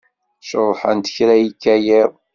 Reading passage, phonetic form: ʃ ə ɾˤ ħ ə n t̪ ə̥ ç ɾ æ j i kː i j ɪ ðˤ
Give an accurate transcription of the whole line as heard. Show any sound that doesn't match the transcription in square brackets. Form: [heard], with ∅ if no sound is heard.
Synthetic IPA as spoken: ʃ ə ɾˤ ħ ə n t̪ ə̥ ç ɾ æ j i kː [æ] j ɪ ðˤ